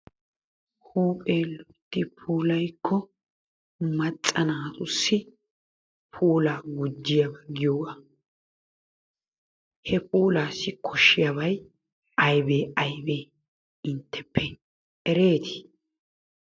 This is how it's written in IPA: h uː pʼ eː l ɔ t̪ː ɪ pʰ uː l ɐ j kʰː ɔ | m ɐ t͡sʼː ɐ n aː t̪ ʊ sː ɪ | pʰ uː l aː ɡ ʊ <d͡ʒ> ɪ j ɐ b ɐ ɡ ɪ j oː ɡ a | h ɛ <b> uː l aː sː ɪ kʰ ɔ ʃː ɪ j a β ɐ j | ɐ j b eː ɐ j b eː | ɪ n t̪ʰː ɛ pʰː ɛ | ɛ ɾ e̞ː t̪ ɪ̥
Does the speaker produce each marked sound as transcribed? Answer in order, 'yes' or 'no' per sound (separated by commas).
no, no